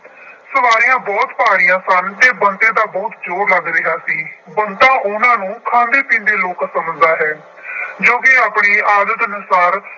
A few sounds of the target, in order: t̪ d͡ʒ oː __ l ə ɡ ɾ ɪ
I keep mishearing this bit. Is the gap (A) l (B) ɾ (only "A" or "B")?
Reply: B